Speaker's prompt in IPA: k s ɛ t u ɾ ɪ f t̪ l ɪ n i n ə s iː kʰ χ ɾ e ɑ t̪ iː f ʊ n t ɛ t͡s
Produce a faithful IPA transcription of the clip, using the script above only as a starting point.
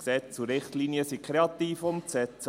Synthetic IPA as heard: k s ɛ t͡s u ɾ ɪ χ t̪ l i n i ə s i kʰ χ ɾ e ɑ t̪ iː f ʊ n s ɛ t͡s